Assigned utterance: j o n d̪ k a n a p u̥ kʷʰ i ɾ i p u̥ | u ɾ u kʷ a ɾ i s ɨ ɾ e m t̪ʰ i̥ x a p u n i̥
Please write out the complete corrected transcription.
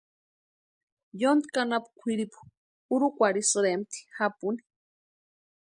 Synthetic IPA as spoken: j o n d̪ k a n a p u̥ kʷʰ i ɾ i p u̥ | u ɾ u kʷ a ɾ i s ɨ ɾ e m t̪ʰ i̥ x a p u n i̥